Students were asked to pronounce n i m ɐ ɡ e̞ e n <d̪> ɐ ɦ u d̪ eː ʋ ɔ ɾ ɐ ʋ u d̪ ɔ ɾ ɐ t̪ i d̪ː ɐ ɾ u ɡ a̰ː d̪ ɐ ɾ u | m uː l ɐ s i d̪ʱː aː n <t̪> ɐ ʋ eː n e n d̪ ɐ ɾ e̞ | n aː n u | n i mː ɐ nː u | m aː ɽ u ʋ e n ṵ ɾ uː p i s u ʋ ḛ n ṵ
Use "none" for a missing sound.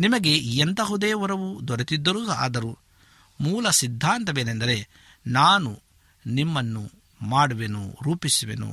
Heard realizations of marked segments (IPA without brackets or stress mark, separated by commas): t̪, t̪